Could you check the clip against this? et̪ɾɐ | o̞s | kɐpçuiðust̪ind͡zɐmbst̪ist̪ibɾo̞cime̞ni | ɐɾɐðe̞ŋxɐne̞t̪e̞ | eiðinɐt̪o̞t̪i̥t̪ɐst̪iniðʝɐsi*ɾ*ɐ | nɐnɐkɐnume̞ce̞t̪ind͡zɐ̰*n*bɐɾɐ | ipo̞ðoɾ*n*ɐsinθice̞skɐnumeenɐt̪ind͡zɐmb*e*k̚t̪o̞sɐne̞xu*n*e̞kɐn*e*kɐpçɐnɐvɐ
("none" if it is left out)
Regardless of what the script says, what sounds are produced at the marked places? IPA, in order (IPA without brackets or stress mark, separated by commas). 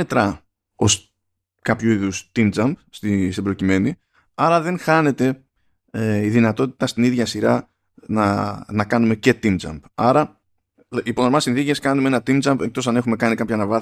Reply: ɾ, m, m, e, m, i